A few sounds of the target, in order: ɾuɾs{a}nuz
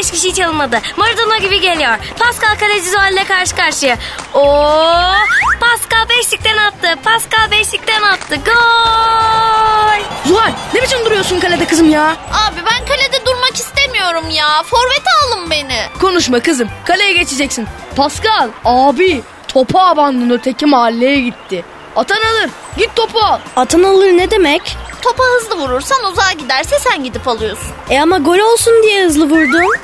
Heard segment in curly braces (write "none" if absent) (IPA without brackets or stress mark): a